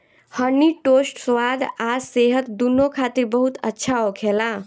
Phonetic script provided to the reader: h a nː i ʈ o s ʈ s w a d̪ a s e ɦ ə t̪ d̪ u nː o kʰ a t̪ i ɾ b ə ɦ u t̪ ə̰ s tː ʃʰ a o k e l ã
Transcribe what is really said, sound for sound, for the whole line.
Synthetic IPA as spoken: h ə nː i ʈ o s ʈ s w a d̪ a s e ɦ ə t̪ d̪ u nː o kʰ a t̪ i ɾ b ə ɦ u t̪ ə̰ tː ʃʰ a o kʰ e l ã